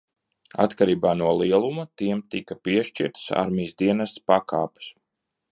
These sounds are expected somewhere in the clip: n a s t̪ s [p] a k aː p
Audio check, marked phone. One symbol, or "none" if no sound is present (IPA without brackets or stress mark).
p